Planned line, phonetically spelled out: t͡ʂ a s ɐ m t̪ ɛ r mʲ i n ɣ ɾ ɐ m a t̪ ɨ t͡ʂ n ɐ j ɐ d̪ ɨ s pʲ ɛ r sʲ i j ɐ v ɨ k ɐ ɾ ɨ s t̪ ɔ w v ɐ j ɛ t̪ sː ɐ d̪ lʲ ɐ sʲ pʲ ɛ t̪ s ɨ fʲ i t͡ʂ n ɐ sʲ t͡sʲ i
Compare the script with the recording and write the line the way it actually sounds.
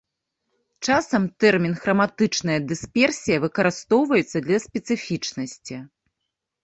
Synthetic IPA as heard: t͡ʂ a s ɐ m t̪ ɛ r mʲ i n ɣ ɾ ɐ m a t̪ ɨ t͡ʂ n ɐ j ɐ d̪ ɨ s pʲ ɛ r sʲ i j ɐ v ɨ k ɐ ɾ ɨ s t̪ ɔ w v ɐ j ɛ t̪ sː ɐ d̪ lʲ ɐ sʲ pʲ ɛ t̪ s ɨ fʲ i t͡ʂ n ɐ sʲ t͡sʲ i